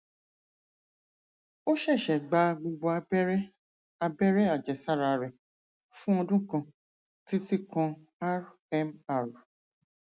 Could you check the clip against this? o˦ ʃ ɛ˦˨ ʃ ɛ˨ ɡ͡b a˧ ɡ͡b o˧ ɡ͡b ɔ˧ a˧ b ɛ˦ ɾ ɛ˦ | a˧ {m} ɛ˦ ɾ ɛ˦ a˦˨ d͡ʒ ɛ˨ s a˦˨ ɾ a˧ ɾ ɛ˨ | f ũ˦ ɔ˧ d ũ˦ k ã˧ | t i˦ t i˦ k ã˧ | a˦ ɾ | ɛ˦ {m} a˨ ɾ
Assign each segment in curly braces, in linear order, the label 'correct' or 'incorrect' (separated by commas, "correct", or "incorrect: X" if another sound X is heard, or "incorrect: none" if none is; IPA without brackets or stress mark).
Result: incorrect: b, correct